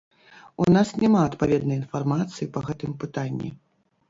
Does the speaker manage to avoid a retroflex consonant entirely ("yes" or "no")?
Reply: yes